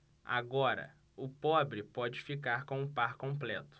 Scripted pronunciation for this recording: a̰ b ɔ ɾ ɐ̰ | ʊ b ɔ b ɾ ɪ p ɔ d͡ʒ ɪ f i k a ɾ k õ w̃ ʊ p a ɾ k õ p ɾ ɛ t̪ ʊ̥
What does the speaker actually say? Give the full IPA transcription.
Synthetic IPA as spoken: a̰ ɡ ɔ ɾ ɐ̰ | ʊ p ɔ b ɾ ɪ p ɔ d͡ʒ ɪ f i k a ɾ k õ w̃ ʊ p a ɾ k õ p l ɛ t̪ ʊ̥